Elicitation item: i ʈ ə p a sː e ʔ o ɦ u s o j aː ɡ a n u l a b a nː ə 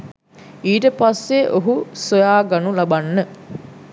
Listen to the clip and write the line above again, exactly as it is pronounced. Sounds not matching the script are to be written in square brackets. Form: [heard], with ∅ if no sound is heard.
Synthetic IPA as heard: [iː] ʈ ə p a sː e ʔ o ɦ u s o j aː ɡ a n u l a b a nː ə